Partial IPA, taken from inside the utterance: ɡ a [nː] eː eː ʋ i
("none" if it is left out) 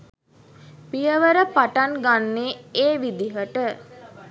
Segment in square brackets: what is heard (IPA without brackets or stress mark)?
nː